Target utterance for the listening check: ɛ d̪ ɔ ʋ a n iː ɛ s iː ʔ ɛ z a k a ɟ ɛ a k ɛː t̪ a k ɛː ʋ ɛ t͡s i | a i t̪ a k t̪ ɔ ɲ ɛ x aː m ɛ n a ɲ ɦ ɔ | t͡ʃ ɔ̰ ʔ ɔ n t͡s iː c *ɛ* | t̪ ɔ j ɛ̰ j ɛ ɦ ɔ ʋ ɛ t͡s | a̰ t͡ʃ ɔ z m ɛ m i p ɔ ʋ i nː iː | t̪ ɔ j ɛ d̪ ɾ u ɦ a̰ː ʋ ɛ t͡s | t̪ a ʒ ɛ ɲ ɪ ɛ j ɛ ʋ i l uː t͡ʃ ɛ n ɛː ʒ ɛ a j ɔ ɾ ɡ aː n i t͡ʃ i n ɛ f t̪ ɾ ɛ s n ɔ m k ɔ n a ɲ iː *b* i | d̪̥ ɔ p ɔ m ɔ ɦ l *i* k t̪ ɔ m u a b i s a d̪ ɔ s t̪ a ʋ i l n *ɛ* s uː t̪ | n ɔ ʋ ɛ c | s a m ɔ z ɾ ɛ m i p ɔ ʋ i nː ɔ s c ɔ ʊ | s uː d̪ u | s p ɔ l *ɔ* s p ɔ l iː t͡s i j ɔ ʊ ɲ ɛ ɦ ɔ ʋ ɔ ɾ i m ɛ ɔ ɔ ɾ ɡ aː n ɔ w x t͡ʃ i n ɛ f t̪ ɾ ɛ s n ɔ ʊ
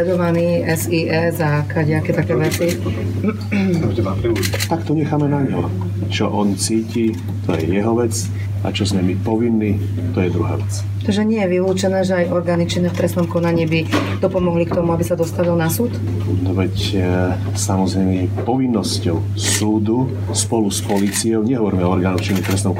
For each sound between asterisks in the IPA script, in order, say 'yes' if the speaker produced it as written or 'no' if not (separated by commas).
no, yes, yes, no, no